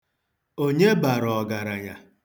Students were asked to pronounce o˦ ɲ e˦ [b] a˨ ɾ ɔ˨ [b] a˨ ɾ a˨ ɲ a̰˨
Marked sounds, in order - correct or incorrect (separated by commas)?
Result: correct, incorrect